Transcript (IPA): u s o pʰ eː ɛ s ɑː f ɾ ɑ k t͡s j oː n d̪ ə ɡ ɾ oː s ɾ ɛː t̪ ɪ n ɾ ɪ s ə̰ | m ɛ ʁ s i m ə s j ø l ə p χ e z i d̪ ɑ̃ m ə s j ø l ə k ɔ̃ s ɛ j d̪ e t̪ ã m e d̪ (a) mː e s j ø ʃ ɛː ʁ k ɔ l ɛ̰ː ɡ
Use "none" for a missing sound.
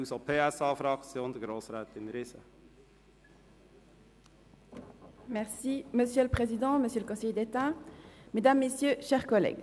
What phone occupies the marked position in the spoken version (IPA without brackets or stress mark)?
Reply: a